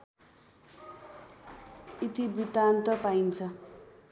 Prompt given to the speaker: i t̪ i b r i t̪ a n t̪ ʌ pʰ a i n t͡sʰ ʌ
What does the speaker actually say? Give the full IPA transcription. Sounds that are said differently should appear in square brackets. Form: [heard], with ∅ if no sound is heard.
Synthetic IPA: i t̪ i b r i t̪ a n t̪ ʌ [p] a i n t͡sʰ ʌ